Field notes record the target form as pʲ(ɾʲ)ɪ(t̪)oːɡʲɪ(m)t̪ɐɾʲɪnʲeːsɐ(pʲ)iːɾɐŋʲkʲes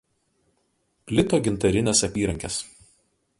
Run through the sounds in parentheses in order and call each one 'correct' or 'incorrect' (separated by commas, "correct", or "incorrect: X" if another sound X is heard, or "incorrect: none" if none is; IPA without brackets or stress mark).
incorrect: lʲ, correct, incorrect: n, correct